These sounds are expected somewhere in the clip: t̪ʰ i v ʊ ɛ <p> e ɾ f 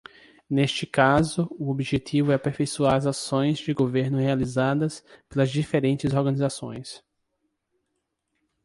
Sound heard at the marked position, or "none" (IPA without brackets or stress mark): p